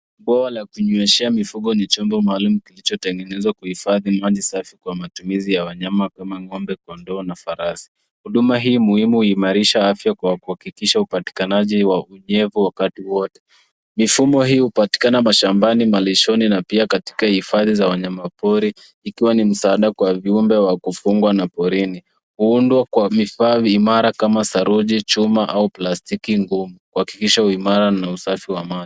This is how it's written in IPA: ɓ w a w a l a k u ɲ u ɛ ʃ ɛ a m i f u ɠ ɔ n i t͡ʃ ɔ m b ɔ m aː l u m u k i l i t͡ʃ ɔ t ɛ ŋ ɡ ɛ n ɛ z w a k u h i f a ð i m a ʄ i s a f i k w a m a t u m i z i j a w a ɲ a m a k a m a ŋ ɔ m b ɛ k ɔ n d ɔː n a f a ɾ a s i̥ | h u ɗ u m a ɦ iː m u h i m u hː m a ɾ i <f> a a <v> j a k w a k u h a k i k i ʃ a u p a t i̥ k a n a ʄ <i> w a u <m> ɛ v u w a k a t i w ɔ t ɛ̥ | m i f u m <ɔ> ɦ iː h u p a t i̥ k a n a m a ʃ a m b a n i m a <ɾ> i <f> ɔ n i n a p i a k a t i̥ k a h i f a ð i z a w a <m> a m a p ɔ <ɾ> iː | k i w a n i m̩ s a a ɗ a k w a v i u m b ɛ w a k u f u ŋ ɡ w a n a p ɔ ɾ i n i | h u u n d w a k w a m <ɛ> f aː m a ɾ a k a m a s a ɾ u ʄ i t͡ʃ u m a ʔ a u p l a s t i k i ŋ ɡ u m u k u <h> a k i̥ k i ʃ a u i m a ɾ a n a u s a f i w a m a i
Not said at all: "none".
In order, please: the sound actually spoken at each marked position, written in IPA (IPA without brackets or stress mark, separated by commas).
ʃ, f, i, ɲ, ɔ, l, ʃ, ɲ, ɾ, i, h